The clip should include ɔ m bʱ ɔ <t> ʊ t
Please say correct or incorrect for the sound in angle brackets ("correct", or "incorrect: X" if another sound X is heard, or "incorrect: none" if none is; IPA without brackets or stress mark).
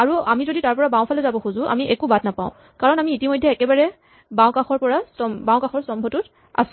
correct